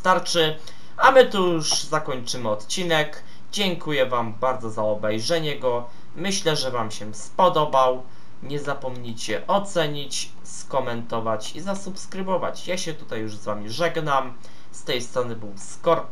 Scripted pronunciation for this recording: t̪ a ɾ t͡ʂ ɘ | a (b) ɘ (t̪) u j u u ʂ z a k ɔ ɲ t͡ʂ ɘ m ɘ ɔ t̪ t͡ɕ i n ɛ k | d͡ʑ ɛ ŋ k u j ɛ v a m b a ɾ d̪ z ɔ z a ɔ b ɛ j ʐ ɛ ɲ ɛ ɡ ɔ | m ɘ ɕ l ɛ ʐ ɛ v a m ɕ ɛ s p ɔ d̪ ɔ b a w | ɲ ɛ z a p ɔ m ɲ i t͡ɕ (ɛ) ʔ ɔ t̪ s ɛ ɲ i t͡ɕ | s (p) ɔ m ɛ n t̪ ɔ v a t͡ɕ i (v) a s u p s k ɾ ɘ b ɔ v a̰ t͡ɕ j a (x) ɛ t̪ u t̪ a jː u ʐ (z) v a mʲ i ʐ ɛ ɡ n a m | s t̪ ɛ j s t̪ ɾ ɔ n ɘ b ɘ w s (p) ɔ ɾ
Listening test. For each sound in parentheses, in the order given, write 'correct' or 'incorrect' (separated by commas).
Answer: incorrect, correct, correct, incorrect, incorrect, incorrect, correct, incorrect